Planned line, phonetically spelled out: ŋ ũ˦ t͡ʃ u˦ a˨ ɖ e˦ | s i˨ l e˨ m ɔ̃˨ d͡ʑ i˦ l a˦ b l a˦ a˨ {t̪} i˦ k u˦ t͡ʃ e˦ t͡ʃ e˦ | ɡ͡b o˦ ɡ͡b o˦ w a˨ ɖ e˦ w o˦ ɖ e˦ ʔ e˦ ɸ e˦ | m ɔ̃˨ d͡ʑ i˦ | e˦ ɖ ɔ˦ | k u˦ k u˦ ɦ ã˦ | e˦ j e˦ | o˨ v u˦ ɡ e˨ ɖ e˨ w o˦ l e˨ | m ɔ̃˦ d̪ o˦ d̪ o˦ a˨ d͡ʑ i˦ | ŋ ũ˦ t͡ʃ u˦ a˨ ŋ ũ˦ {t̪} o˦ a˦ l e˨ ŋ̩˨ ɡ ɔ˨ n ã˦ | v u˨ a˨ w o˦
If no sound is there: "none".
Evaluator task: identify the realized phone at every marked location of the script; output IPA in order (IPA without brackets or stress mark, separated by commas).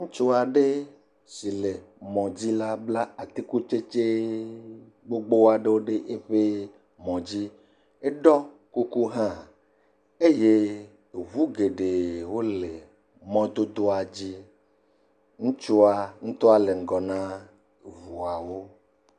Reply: t̪, t̪